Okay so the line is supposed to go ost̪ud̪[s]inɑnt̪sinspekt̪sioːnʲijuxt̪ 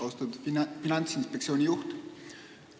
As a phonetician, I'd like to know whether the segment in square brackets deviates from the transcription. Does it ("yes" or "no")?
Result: yes